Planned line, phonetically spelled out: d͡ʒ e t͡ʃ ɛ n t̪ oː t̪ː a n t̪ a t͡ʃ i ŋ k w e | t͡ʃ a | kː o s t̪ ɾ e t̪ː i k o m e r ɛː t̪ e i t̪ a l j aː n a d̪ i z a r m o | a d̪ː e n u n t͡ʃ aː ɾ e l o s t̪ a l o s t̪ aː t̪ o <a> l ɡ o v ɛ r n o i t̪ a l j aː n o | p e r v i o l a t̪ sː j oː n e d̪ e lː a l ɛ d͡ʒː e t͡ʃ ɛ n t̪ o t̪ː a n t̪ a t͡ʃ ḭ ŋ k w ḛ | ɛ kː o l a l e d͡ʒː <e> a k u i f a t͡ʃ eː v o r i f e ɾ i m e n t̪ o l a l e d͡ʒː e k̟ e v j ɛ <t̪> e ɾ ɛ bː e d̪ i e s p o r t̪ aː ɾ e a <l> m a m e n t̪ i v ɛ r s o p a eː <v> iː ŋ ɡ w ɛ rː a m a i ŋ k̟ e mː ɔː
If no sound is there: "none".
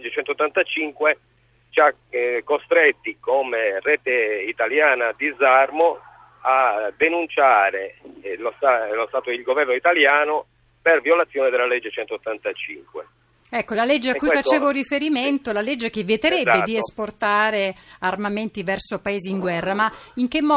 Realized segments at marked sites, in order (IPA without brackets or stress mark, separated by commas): i, e, t̪, r, z